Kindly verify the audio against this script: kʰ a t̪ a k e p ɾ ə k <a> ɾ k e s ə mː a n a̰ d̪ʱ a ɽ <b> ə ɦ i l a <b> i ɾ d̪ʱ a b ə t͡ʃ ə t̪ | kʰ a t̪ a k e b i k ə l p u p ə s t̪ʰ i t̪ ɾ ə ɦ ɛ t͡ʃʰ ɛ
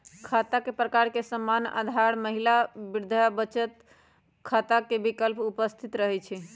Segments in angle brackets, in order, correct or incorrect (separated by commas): correct, incorrect, correct